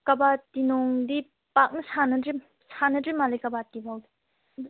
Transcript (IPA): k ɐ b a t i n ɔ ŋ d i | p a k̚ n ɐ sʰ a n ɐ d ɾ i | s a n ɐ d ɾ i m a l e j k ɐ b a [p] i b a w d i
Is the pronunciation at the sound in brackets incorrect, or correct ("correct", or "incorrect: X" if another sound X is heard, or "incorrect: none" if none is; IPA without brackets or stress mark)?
incorrect: t